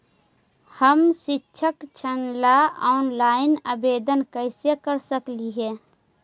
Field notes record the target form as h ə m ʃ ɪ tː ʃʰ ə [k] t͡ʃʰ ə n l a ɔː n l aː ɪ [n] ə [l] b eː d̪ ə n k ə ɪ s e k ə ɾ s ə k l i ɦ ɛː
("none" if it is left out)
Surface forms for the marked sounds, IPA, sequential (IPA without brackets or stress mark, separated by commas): k, n, none